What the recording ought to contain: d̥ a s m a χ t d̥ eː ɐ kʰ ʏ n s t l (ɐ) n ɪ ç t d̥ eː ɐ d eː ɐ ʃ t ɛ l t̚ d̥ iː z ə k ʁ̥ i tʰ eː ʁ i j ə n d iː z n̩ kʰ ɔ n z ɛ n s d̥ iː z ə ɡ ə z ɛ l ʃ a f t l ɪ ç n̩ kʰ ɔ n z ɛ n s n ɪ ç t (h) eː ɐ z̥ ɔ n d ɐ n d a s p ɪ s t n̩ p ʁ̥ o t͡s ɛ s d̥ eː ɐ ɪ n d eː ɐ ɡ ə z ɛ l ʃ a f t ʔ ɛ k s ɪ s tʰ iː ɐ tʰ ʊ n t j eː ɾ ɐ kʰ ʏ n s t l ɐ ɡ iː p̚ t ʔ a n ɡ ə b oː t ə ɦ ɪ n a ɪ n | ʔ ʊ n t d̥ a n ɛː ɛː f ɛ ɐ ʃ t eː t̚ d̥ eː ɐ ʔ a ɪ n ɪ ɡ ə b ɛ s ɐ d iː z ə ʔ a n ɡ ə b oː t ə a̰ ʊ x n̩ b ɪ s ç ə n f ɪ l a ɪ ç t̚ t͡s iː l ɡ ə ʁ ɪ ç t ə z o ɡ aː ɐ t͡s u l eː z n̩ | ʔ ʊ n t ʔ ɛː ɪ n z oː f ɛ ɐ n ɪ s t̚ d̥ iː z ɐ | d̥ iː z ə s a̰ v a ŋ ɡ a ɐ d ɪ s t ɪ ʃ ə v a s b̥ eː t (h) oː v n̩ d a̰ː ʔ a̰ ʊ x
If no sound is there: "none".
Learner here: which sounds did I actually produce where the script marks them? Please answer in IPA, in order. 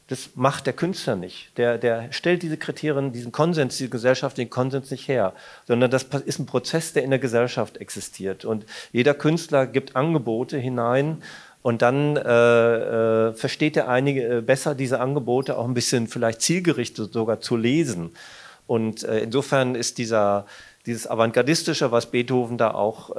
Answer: ɐ, h, h

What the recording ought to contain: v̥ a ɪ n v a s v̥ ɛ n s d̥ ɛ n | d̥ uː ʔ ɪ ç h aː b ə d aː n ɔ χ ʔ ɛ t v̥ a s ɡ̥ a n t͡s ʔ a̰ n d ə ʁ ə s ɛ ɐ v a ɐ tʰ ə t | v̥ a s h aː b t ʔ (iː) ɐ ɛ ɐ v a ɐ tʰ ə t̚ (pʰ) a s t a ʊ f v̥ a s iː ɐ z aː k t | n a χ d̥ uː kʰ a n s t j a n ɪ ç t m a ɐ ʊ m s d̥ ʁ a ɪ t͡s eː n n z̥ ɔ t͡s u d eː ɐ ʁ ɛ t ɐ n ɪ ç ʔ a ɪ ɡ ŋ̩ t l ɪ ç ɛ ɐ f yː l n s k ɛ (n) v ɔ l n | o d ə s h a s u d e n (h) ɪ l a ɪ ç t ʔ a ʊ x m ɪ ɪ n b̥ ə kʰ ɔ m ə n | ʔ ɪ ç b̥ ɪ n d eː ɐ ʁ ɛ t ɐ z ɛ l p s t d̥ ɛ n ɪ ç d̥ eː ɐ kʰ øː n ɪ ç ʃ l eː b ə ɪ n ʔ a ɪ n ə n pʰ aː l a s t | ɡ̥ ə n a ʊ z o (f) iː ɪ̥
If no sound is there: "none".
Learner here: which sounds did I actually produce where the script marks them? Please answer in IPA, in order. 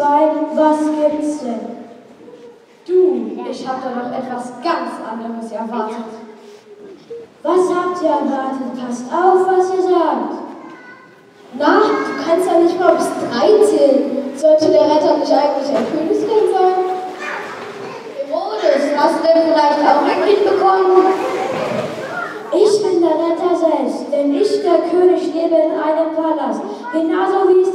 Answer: iː, pʰ, n, f, v

